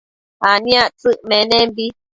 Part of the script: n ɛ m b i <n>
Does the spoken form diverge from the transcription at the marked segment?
yes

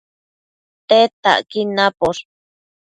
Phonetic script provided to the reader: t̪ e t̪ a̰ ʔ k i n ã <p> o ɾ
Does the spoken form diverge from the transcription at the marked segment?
no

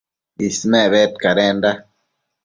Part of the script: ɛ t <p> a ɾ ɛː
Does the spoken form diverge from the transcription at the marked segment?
yes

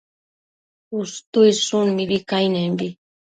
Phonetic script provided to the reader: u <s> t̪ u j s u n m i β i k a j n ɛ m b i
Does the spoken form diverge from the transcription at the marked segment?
no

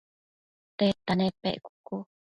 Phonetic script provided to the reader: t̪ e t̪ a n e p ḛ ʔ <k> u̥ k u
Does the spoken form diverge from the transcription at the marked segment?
no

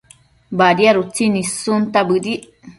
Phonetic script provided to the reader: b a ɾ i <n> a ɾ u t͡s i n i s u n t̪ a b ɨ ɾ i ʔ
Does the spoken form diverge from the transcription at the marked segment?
yes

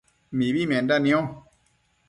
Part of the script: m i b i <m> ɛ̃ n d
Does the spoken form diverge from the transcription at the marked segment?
no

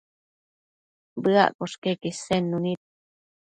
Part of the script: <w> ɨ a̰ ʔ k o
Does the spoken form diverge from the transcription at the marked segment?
yes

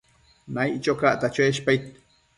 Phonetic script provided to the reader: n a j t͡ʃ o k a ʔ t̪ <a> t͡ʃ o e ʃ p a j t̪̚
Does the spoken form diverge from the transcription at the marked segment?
no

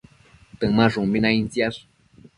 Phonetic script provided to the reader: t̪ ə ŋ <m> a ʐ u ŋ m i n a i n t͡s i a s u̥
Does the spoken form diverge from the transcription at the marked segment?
no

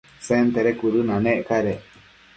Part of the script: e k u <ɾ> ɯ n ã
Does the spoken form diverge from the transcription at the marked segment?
no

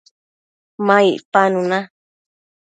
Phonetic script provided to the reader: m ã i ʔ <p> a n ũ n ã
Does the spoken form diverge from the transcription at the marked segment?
no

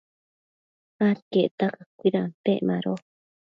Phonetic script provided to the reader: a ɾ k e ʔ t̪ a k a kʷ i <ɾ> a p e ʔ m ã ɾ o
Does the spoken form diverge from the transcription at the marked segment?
no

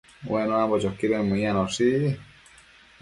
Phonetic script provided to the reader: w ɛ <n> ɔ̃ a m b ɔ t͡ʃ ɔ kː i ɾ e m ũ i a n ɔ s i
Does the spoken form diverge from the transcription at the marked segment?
no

